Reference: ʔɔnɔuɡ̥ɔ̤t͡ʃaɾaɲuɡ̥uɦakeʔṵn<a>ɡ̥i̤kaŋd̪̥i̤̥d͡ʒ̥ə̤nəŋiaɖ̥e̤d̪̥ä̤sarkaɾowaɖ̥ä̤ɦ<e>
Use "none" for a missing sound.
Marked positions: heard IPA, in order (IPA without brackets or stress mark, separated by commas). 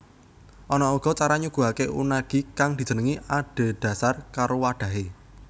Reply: a, e